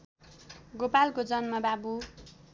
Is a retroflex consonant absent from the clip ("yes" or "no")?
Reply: yes